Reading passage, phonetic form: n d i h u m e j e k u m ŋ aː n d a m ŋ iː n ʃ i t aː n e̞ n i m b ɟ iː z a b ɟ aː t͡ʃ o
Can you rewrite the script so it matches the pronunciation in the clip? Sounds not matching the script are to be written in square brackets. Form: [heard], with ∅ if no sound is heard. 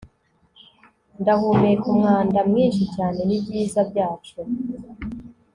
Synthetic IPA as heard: n d [a] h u m e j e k u m ŋ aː n d a m ŋ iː n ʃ i [c] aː n e̞ n i [∅] b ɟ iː z a b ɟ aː t͡ʃ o